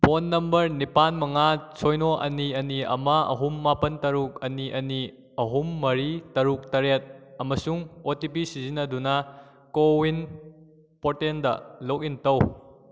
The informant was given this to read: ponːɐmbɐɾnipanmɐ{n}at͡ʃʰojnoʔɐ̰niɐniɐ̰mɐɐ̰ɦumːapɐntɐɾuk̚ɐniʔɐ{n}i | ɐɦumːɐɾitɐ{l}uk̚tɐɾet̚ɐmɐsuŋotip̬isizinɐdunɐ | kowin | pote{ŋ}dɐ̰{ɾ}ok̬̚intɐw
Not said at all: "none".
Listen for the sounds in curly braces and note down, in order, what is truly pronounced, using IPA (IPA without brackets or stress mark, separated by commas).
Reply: ŋ, n, ɾ, n, l